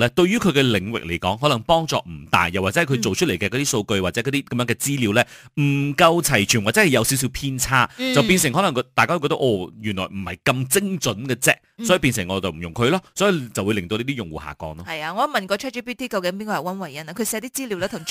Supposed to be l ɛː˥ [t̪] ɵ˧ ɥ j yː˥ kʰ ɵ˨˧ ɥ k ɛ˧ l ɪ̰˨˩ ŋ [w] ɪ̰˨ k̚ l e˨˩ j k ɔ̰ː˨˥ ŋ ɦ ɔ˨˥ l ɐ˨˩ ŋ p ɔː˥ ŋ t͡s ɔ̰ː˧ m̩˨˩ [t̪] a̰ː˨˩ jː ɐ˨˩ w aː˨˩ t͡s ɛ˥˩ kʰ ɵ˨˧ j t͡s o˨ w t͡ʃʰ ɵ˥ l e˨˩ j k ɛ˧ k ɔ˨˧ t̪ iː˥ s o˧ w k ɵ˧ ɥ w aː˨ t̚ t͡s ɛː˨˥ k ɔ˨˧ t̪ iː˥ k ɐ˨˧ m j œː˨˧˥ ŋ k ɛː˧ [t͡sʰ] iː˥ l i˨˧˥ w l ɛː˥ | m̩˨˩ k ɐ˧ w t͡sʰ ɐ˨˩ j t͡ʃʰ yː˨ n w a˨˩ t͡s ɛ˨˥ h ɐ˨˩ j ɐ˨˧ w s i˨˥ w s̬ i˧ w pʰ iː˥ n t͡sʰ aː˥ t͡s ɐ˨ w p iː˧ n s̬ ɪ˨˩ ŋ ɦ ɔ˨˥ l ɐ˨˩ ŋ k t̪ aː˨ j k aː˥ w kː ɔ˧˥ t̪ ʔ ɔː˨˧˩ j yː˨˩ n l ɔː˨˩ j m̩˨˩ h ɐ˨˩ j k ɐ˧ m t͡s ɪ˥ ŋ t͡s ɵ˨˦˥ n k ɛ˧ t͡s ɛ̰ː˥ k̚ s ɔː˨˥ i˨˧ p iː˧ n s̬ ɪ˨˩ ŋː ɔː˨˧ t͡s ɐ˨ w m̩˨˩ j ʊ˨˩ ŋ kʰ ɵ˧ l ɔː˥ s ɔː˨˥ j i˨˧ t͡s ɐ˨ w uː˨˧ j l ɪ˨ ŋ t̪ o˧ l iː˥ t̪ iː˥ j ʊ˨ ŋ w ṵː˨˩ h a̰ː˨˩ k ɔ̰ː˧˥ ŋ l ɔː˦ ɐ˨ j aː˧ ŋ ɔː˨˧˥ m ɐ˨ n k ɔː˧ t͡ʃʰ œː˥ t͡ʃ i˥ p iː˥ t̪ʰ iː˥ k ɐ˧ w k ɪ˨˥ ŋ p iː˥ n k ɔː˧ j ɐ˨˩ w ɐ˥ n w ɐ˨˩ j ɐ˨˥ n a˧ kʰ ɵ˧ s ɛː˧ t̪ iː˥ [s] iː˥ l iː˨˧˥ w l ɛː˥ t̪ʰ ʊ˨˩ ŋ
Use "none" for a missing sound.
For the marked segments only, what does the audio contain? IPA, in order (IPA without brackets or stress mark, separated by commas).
t̪, w, t̪, t͡s, t͡s